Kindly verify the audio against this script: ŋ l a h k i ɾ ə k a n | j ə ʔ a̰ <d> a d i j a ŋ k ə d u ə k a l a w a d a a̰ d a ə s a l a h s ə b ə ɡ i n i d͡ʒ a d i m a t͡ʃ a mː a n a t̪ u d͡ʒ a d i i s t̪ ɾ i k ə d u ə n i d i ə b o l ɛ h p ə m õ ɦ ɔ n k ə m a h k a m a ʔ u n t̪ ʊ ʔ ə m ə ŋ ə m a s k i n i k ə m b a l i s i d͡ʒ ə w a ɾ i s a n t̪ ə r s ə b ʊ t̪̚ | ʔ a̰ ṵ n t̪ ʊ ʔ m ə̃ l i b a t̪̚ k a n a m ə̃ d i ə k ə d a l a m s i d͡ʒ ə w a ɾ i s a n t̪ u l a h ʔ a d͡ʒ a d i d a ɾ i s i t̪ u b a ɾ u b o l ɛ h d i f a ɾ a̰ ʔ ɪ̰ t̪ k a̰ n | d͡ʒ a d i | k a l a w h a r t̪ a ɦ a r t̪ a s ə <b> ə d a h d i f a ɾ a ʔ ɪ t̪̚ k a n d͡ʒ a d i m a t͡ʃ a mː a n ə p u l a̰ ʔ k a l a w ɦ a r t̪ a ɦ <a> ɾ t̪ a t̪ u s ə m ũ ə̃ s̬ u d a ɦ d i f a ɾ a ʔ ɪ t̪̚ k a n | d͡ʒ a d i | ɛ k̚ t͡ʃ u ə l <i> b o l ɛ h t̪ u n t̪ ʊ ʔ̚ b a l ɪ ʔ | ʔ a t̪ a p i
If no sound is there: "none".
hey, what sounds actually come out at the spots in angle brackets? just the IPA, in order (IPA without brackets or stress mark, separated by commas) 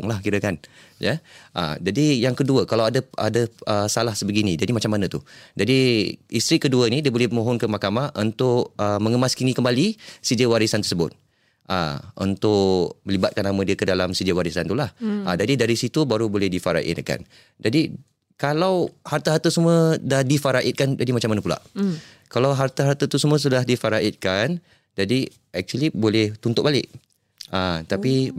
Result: d͡ʒ, m, a, i